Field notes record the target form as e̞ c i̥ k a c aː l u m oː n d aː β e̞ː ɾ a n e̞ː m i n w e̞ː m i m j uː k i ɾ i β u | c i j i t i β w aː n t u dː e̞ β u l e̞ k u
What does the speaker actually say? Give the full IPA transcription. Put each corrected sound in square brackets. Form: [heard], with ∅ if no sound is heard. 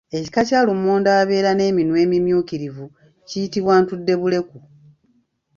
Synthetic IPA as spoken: e̞ c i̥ k a c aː l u m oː n d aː β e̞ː ɾ a n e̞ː m i n w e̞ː m i m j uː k i ɾ i [v] u | c i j i t i β w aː n t u dː e̞ β u l e̞ k u